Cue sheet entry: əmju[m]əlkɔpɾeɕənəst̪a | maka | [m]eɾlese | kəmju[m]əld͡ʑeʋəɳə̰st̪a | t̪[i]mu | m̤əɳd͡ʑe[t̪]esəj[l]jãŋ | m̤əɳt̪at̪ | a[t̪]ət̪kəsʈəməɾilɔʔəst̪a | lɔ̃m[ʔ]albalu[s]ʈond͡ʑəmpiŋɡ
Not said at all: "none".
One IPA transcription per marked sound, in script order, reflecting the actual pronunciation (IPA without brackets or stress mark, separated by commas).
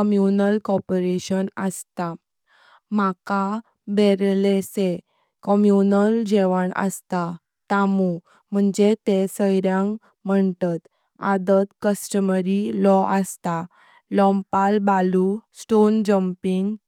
n, b, n, a, t̪, ɾ, d̪, p, s